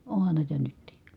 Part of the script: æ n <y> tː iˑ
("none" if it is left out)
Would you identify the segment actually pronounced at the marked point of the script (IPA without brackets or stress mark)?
y